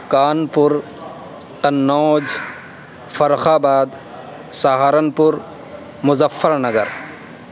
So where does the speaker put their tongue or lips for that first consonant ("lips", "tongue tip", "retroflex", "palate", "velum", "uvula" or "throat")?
velum